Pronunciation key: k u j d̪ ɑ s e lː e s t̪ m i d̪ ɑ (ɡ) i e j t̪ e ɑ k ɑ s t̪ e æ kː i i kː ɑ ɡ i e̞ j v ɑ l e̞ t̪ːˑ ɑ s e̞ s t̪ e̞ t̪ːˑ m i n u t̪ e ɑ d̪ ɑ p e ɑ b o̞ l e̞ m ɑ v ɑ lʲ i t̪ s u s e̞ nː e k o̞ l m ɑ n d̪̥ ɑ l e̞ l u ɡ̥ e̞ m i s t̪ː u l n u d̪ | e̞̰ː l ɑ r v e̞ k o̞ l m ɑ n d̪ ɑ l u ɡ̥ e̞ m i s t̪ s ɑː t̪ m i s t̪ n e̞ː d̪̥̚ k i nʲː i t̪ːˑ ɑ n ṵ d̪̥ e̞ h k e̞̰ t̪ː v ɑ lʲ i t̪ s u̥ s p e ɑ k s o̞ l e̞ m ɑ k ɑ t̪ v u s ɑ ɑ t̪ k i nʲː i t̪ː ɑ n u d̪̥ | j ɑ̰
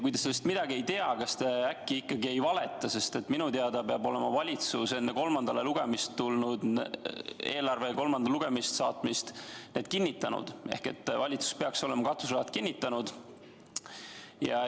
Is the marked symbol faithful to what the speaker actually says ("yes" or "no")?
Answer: yes